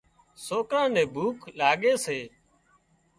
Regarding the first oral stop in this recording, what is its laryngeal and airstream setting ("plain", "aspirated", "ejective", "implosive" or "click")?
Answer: plain